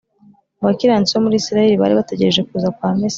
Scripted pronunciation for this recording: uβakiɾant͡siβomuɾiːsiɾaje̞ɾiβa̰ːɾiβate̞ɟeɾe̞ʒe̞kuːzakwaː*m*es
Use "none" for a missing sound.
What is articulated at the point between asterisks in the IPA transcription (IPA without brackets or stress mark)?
m